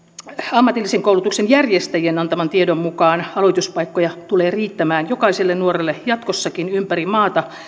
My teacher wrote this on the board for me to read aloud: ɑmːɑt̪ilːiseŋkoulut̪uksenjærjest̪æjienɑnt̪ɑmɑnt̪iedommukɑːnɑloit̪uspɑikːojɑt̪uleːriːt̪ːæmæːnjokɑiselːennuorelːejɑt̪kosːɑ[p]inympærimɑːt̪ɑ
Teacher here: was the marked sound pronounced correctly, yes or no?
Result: no